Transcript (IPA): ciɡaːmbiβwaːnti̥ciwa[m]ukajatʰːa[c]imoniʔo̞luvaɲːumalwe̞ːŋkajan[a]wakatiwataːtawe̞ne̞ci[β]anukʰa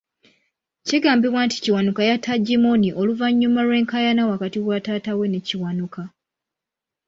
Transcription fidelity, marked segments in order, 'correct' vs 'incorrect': incorrect, incorrect, correct, incorrect

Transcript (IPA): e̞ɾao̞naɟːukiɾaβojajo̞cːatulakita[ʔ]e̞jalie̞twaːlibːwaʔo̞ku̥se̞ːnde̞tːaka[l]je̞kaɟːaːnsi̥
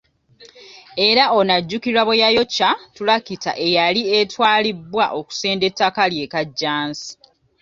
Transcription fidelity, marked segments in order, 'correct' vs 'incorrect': correct, correct

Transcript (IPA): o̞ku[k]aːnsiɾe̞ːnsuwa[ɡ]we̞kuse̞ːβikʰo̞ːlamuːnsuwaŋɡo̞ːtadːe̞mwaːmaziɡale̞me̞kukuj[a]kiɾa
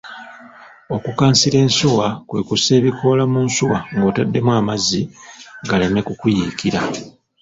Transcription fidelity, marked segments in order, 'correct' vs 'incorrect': correct, incorrect, incorrect

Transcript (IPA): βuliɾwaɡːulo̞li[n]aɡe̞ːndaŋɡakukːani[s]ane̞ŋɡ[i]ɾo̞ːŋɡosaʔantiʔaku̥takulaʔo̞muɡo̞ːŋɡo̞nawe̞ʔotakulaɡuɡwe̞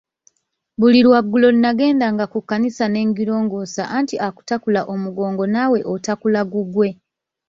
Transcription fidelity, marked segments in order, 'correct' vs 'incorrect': correct, correct, correct

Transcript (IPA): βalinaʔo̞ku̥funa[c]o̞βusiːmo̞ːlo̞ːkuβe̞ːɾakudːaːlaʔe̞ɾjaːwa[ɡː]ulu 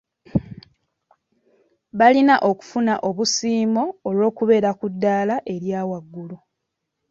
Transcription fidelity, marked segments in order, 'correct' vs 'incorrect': incorrect, correct

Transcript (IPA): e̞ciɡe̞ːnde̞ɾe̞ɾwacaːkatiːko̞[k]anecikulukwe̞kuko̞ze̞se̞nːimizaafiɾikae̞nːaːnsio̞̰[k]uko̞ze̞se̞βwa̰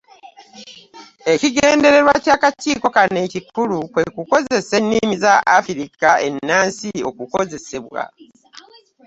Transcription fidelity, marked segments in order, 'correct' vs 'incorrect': correct, correct

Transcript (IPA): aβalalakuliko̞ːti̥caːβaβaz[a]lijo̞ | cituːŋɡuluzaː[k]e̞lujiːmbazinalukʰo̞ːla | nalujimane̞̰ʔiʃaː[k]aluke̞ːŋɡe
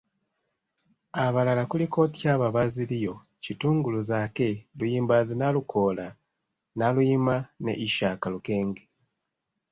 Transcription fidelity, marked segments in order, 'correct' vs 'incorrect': incorrect, correct, correct

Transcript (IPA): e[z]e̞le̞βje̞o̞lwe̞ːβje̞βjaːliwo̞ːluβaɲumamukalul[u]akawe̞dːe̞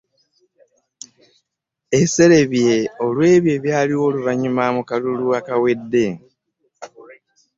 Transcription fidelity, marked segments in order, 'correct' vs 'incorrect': incorrect, correct

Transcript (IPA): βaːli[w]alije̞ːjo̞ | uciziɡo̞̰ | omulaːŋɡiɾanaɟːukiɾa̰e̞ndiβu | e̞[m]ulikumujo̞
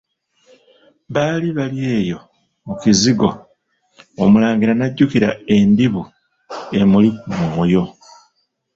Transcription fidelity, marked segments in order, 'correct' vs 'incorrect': incorrect, correct

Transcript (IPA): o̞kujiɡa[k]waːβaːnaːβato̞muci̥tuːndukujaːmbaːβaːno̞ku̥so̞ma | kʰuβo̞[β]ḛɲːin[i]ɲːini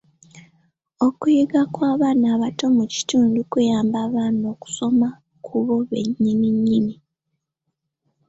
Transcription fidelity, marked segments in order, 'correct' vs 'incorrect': correct, correct, correct

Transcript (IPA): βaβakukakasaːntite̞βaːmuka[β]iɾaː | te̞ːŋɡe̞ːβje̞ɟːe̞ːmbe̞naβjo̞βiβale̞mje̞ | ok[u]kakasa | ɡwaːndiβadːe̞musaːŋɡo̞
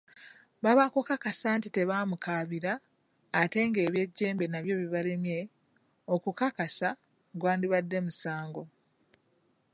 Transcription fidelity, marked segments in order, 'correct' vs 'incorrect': correct, correct

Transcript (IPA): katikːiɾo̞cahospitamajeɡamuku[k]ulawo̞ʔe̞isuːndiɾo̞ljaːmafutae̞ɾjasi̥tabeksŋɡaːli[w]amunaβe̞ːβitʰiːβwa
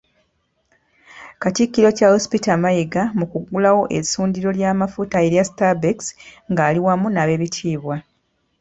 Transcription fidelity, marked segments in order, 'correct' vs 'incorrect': incorrect, correct

